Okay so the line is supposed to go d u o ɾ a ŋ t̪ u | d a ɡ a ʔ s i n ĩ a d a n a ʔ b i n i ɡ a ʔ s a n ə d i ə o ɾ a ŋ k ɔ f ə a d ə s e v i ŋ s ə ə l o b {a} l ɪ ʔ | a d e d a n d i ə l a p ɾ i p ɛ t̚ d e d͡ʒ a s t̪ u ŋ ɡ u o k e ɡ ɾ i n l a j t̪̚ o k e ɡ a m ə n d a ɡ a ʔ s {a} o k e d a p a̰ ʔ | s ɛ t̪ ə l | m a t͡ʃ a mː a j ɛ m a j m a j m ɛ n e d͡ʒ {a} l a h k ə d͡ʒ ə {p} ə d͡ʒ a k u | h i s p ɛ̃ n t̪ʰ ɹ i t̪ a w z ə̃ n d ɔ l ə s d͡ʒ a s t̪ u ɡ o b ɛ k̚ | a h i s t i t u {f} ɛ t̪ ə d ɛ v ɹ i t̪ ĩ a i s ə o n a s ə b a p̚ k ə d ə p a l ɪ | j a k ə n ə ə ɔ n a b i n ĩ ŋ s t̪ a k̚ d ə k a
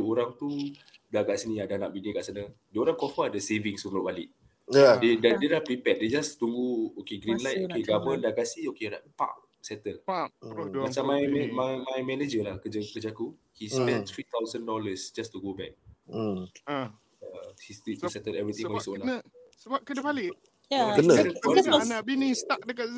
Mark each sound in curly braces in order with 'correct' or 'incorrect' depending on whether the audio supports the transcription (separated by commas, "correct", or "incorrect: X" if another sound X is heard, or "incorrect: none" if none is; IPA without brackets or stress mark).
correct, incorrect: i, incorrect: ə, incorrect: k, incorrect: s